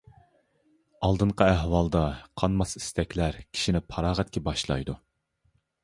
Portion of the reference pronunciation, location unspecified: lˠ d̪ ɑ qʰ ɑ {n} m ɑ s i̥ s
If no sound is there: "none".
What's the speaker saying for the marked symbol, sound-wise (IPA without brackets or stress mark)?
n